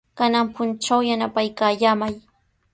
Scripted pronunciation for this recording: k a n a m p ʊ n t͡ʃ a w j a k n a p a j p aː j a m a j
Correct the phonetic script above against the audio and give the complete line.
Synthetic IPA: k a n a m p ʊ n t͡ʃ a w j a n a p a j k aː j a m a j